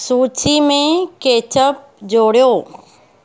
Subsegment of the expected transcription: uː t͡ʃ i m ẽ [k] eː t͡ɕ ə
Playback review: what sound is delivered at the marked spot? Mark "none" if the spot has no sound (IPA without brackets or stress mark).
k